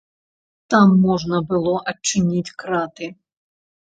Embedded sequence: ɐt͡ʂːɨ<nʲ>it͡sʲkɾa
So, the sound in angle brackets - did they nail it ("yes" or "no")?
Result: yes